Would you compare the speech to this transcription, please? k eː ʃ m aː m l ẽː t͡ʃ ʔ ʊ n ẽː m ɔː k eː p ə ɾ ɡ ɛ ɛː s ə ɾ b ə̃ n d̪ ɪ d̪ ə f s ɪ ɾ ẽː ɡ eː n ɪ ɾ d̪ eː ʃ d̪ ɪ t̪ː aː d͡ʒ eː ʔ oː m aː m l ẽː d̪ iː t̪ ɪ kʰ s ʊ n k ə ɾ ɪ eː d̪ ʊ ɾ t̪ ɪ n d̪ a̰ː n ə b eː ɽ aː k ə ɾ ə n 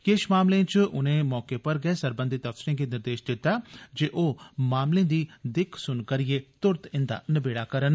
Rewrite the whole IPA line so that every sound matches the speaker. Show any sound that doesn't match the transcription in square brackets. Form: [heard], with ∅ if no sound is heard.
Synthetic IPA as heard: k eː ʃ m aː m l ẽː t͡ʃ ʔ ʊ n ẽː m ɔː k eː p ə ɾ ɡ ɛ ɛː s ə ɾ b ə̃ n d̪ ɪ [t̪] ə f s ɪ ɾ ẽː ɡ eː n ɪ ɾ d̪ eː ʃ d̪ ɪ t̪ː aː d͡ʒ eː ʔ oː m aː m l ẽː d̪ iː [d̪] ɪ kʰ s ʊ n k ə ɾ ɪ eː [t̪] ʊ ɾ t̪ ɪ n d̪ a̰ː n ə b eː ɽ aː k ə ɾ ə n